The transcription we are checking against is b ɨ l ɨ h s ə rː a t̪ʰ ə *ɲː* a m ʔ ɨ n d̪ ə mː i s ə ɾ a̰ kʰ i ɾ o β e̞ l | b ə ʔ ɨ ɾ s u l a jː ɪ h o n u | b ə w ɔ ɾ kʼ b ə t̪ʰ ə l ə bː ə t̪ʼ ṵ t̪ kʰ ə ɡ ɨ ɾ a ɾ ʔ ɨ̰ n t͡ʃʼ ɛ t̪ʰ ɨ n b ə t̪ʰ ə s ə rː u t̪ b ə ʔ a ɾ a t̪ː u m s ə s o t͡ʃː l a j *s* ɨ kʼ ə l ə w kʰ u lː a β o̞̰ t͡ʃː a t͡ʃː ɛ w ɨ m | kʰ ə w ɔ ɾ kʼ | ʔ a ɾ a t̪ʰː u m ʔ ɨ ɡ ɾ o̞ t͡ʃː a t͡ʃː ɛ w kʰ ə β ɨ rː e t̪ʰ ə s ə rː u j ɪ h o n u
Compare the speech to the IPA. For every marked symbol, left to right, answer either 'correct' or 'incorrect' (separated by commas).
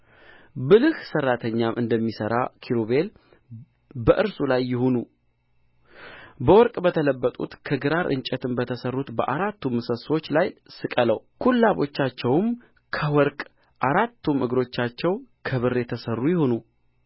correct, correct